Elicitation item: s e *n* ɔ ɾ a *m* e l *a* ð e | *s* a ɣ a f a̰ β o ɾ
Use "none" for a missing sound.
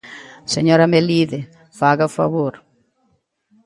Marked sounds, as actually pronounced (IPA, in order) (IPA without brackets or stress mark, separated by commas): ɲ, m, i, f